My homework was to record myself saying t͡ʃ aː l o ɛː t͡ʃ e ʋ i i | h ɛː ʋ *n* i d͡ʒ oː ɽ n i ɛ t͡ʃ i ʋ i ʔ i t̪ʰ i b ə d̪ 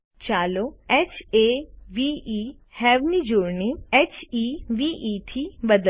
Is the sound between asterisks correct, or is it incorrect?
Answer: correct